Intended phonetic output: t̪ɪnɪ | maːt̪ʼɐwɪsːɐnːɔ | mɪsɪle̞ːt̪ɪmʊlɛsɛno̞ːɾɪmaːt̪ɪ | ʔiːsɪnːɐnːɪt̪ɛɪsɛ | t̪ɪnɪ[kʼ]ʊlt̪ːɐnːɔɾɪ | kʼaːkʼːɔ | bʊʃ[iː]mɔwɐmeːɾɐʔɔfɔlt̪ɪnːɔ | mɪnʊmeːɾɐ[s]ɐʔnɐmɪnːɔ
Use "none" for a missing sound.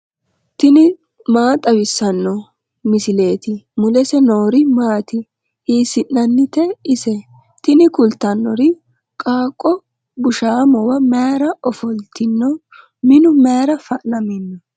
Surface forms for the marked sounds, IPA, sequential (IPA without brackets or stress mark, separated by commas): k, aː, f